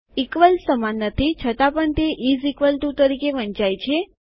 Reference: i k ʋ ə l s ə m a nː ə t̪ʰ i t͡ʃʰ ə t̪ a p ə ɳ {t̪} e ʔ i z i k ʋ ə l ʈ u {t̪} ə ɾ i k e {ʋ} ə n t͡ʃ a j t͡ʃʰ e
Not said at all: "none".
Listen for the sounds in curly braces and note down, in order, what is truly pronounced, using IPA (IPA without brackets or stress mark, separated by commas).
t̪, t̪, ʋ